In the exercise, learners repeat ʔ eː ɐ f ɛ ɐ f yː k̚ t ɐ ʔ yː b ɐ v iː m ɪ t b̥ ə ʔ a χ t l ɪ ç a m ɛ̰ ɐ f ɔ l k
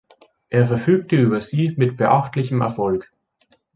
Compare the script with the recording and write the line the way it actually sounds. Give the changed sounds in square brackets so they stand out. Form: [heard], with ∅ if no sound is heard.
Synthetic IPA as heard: ʔ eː ɐ f ɛ ɐ f yː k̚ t [ə] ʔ yː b ɐ [z] iː m ɪ t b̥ ə ʔ a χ t l ɪ ç [ə] m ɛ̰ ɐ f ɔ l k